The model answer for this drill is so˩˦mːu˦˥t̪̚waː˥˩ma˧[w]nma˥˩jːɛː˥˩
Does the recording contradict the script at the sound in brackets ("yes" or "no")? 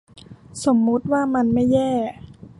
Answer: yes